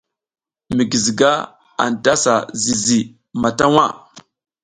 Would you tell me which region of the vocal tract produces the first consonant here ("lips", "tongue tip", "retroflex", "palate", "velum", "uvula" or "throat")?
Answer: lips